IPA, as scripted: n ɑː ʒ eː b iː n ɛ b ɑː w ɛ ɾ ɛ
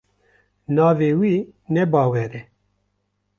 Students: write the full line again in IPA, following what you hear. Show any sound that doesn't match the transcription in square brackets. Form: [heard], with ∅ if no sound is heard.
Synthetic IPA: n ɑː [v] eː [w] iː n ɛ b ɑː w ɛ ɾ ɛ